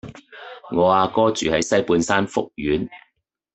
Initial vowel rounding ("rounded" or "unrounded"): rounded